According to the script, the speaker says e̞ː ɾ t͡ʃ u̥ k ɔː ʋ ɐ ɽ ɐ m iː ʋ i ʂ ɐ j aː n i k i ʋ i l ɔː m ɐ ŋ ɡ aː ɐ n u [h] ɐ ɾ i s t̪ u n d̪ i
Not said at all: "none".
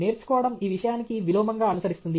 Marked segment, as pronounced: s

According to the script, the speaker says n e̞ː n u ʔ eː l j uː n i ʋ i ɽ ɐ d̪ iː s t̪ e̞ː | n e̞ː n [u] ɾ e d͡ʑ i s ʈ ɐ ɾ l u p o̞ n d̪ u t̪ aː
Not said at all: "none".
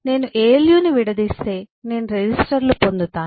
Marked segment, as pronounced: u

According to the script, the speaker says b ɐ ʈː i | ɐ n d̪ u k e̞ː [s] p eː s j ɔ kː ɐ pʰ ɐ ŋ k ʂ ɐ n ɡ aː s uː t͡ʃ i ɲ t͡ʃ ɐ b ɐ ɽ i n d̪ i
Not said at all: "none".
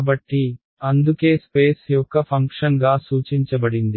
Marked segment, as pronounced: s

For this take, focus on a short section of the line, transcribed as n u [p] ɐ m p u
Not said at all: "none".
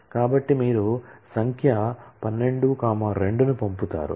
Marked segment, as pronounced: p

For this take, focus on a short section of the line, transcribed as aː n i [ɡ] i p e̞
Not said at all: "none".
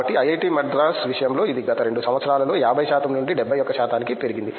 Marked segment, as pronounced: k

